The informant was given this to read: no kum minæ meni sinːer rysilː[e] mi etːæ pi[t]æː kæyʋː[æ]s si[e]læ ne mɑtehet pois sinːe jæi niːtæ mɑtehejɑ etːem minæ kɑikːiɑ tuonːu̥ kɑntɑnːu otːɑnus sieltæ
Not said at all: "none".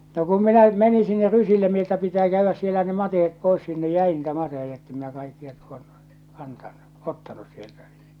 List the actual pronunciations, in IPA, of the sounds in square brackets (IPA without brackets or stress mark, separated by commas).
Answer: e, t, æ, e